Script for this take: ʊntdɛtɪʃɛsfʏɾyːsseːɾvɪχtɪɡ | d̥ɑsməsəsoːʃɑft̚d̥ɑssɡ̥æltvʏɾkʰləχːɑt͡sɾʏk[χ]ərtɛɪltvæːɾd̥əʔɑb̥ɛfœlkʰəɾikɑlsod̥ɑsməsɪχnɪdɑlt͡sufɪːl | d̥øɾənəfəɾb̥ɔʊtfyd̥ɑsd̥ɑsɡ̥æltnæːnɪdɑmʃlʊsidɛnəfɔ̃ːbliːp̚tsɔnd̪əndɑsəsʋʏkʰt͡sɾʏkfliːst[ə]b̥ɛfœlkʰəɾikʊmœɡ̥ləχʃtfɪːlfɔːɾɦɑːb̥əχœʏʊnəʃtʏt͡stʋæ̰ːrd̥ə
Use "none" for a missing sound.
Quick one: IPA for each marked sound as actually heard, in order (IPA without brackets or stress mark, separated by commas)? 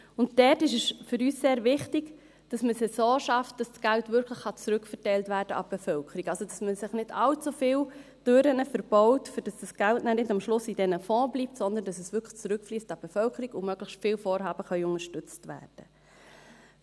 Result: f, ɑ